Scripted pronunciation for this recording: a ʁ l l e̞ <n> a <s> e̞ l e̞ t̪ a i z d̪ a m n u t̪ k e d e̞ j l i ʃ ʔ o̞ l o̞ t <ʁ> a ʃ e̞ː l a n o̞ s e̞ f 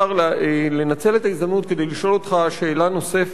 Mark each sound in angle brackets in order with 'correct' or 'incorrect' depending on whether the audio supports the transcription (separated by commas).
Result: correct, incorrect, incorrect